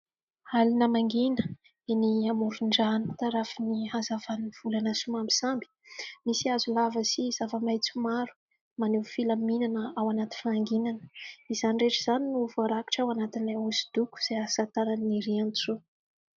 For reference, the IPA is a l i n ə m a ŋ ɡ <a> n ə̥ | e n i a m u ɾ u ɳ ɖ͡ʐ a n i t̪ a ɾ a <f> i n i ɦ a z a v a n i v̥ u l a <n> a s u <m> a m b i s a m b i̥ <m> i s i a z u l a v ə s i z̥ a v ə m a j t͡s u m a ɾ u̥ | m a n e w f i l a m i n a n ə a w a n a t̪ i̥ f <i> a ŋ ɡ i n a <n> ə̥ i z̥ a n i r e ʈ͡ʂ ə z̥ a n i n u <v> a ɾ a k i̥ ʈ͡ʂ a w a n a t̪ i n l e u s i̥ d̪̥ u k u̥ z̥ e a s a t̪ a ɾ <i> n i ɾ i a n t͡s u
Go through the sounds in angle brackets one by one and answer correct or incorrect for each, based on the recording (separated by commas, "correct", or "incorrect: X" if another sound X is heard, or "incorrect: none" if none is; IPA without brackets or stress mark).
incorrect: i, correct, correct, correct, correct, incorrect: a, correct, correct, incorrect: a